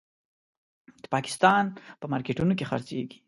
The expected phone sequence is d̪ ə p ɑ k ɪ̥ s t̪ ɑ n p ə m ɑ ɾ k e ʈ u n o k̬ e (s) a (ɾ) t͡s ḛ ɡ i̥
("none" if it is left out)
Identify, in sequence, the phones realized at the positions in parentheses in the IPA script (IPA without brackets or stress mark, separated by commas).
x, ɾ